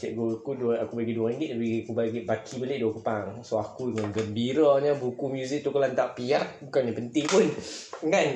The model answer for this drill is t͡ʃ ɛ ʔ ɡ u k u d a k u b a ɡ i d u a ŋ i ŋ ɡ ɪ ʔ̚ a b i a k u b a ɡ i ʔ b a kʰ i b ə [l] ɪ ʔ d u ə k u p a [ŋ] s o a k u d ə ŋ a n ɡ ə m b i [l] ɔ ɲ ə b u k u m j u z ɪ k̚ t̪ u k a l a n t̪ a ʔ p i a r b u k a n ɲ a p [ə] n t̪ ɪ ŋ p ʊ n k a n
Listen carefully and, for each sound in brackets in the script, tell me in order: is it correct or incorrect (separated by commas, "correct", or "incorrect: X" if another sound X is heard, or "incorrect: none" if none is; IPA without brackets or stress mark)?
correct, correct, incorrect: ɾ, correct